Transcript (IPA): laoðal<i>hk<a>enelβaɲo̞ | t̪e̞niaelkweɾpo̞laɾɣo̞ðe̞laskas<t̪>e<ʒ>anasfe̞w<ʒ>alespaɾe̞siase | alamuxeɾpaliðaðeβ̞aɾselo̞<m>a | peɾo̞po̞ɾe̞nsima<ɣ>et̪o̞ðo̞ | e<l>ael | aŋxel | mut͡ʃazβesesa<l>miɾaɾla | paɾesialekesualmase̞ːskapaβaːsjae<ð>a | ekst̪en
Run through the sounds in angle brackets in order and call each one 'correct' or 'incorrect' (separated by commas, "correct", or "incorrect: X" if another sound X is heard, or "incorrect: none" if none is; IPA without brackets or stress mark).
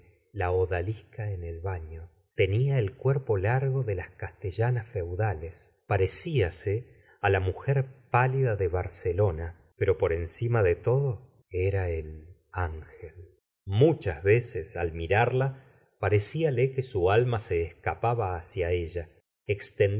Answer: correct, correct, correct, correct, incorrect: ð, incorrect: n, incorrect: ð, incorrect: ɾ, correct, incorrect: ʒ